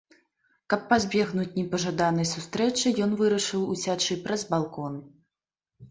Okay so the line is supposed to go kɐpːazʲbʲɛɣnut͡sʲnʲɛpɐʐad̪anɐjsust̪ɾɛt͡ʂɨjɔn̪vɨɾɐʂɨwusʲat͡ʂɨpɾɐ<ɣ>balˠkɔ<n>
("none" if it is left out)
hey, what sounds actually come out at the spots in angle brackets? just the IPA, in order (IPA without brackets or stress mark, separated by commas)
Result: z, n